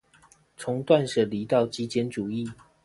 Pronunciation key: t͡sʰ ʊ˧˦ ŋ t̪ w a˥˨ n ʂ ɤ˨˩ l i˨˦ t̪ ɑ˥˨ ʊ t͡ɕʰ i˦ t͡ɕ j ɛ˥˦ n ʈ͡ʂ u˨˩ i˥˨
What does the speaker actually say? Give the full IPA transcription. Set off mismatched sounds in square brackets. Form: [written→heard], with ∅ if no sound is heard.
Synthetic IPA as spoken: t͡sʰ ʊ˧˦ ŋ t̪ w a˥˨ n ʂ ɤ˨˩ l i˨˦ t̪ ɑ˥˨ ʊ [t͡ɕʰ→t͡ɕ] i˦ t͡ɕ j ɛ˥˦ n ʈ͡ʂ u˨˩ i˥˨